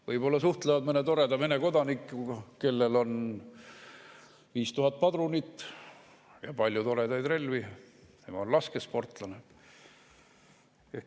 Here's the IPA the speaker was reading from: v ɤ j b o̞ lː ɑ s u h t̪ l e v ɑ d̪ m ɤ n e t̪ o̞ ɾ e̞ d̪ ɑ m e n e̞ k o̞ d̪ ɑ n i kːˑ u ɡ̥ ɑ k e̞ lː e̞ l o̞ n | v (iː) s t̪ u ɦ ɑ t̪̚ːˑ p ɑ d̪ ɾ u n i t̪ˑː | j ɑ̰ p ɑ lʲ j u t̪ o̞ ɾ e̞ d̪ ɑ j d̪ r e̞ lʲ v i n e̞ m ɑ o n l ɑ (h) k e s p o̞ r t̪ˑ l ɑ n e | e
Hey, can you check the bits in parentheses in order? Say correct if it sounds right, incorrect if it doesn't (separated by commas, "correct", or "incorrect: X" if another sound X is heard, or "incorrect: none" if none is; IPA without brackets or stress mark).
correct, incorrect: s